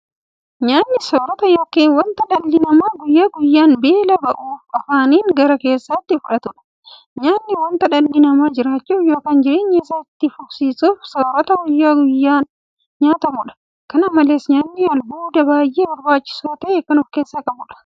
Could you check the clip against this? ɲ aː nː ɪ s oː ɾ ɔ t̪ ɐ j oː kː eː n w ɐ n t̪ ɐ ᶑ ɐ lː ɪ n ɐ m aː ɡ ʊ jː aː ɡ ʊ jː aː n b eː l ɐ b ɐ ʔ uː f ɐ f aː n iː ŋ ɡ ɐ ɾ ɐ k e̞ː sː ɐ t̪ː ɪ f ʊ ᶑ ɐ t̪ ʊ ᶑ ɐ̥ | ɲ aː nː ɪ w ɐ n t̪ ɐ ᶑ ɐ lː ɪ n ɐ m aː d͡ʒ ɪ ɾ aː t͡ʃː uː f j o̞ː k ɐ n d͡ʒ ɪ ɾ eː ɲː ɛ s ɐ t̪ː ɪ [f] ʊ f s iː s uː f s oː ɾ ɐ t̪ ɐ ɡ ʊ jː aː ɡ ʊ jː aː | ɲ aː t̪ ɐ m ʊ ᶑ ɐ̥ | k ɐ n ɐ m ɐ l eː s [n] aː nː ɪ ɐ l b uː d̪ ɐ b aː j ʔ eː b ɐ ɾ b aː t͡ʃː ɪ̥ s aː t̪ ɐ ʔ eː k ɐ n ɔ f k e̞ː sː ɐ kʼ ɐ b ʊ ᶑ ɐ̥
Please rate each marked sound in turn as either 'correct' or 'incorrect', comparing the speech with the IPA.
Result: correct, incorrect

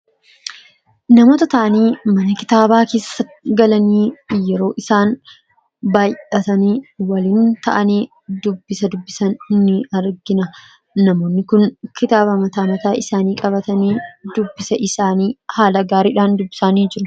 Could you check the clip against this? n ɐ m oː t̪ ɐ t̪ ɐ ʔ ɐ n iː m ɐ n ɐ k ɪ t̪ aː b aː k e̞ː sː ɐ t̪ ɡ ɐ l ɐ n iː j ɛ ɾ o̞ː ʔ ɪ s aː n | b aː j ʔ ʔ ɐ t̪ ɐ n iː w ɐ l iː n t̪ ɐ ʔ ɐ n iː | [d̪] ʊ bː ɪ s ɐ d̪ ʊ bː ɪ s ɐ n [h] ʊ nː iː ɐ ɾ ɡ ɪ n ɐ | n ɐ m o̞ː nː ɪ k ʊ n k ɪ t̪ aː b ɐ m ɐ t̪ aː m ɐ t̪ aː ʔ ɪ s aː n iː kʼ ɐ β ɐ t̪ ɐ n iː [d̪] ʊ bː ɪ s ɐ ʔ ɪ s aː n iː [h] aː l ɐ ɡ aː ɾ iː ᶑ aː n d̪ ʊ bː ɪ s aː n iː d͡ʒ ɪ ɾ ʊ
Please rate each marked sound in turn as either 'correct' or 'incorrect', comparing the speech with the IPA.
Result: correct, correct, correct, correct

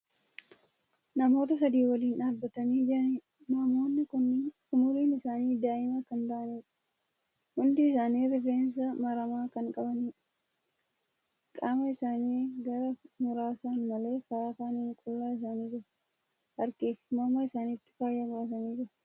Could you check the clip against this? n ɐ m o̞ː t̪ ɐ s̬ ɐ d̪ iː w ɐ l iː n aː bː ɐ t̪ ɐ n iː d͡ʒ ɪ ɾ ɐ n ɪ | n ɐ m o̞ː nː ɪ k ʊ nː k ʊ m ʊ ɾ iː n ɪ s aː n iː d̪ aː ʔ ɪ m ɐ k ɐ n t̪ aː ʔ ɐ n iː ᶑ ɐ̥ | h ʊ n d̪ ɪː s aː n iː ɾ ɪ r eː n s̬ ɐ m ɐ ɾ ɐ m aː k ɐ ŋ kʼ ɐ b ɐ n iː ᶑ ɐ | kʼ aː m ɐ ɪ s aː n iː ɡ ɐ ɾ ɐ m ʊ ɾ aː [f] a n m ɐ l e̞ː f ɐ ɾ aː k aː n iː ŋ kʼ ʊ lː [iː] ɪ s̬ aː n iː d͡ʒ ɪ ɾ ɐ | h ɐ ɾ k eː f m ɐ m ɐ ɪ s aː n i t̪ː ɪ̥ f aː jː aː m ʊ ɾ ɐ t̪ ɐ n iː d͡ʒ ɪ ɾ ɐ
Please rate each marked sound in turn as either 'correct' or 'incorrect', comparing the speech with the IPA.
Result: incorrect, incorrect

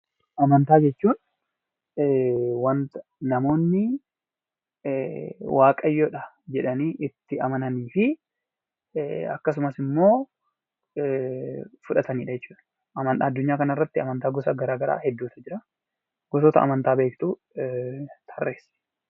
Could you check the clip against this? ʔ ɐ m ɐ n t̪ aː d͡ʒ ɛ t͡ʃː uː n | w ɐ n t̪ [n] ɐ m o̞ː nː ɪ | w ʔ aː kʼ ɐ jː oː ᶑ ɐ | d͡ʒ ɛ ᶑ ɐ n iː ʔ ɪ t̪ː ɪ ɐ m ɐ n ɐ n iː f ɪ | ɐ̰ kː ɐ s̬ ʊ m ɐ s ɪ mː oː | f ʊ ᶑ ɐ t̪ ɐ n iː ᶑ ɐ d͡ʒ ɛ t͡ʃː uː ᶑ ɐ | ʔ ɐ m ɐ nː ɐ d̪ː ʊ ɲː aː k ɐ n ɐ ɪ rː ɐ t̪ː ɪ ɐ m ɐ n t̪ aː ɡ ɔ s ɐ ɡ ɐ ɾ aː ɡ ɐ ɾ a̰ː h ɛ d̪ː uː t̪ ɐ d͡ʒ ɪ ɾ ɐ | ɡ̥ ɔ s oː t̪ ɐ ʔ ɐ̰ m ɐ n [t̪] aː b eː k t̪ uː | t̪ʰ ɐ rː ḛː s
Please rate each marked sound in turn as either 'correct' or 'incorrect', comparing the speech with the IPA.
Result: correct, correct

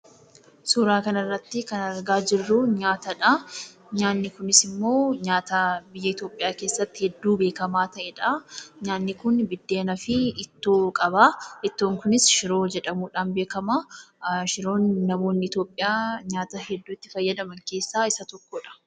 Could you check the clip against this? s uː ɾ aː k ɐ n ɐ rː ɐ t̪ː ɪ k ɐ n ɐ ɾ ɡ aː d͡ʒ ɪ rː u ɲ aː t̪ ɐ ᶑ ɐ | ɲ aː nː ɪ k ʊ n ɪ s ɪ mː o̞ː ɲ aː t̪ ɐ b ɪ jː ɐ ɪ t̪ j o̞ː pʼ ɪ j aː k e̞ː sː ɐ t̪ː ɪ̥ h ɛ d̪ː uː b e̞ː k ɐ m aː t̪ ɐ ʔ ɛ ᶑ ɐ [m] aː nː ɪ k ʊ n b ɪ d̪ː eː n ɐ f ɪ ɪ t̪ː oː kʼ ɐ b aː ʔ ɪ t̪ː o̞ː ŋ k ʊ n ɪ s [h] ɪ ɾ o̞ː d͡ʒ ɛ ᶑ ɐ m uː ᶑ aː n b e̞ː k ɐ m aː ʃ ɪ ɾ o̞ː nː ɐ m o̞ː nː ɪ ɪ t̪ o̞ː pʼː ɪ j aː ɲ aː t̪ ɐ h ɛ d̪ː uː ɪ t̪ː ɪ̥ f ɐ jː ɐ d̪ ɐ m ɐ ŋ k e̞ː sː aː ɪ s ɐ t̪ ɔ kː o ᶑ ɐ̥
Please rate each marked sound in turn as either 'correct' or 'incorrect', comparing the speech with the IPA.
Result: incorrect, incorrect

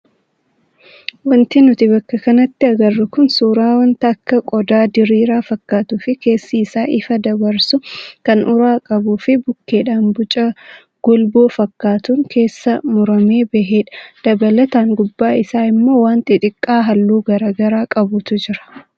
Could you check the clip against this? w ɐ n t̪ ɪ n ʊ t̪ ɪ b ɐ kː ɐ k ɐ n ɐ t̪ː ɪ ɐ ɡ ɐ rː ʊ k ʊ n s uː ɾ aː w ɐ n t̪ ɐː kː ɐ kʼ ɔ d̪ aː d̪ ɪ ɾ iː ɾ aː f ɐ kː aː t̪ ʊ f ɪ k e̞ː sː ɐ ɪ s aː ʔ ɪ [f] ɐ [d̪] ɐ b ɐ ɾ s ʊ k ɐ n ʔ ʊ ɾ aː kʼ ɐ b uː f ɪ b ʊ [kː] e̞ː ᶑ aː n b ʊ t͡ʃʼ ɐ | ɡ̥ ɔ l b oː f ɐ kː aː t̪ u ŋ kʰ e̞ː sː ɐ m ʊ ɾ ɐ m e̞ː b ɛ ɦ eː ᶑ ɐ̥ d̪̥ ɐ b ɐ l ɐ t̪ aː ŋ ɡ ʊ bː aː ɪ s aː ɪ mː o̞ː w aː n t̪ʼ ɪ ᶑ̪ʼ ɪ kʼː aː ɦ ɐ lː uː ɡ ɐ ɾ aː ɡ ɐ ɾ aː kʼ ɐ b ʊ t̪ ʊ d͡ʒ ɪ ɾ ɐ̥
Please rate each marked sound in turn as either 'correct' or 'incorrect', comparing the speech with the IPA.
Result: correct, correct, correct

